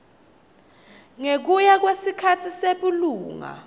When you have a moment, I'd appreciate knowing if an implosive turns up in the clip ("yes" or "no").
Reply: yes